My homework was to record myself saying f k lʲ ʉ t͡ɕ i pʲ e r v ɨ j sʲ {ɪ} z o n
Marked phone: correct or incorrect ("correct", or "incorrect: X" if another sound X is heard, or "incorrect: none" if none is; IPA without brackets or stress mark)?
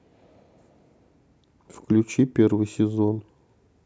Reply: correct